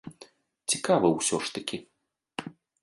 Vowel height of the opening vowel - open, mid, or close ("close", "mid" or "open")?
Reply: close